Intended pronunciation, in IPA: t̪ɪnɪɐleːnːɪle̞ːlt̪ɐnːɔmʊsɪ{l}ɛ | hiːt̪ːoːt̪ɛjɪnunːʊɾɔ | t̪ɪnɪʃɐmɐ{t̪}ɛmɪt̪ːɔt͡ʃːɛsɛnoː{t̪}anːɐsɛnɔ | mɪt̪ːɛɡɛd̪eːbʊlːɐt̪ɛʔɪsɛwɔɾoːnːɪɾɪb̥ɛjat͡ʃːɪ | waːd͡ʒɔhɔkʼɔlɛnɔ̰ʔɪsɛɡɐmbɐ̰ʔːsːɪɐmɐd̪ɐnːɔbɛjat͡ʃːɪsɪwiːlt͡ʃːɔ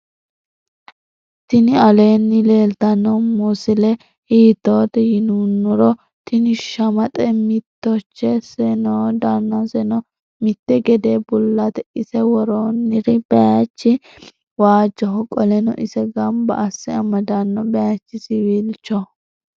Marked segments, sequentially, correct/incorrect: correct, incorrect: t̪ʼ, incorrect: d̪

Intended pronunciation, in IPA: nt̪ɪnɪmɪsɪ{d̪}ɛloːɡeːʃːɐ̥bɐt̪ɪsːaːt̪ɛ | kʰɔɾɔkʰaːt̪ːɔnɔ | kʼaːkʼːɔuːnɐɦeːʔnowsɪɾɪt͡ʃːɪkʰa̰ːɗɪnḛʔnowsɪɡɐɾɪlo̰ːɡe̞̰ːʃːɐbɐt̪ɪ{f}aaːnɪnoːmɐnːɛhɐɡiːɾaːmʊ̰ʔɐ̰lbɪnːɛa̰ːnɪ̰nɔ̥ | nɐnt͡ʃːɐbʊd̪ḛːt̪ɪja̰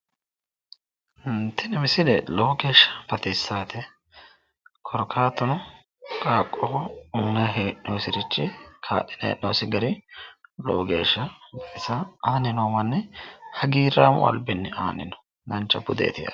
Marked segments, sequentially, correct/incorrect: correct, incorrect: s

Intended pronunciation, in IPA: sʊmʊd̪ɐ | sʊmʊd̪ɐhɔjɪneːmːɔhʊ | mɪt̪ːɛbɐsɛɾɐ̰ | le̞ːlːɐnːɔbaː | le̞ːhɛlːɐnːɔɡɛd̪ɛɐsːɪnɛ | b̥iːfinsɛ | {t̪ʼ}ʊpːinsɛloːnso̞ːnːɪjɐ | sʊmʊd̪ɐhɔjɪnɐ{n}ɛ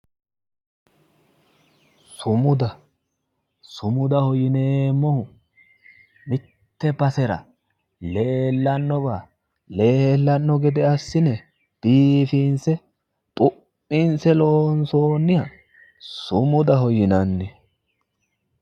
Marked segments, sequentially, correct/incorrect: correct, incorrect: nː

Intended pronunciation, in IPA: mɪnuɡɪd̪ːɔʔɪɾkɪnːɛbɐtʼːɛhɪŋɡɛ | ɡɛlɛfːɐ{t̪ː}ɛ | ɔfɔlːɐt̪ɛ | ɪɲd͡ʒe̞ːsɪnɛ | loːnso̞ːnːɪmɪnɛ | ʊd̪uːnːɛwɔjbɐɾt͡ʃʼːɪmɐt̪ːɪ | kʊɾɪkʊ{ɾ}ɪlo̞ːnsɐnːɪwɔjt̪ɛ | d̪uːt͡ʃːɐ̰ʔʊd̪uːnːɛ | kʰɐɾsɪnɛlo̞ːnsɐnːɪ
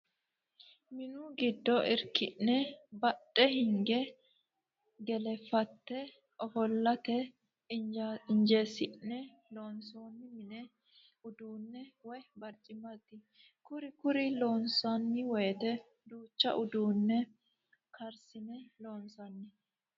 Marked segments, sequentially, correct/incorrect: correct, correct

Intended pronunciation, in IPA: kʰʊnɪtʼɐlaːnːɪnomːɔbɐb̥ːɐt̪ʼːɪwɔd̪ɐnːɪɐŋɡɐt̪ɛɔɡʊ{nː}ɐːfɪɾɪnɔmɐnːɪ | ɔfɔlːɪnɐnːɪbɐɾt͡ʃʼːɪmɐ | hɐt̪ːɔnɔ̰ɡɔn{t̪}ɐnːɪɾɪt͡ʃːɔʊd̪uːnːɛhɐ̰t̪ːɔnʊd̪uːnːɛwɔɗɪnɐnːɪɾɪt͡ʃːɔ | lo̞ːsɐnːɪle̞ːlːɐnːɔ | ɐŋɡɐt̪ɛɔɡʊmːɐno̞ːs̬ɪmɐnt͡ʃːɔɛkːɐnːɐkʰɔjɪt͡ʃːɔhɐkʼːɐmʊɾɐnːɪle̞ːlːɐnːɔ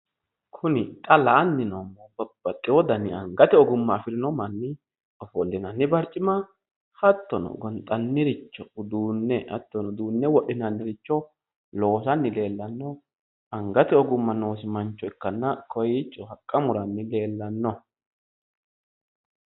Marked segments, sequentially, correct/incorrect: incorrect: mː, incorrect: t̪ʼ

